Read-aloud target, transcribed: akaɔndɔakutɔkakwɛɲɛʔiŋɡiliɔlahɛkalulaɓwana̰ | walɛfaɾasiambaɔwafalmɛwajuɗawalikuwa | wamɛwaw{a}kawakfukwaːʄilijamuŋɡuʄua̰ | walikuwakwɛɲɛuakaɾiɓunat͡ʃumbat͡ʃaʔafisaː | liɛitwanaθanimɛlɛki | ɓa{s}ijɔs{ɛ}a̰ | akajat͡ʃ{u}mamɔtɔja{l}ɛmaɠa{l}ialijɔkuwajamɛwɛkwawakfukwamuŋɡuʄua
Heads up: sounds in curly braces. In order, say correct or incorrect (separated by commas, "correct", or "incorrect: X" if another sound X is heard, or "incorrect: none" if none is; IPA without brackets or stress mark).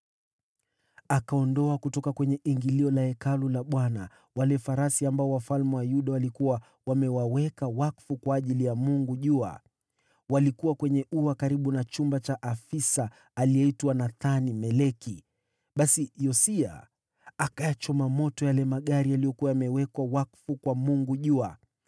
incorrect: ɛ, correct, incorrect: i, incorrect: ɔ, correct, incorrect: ɾ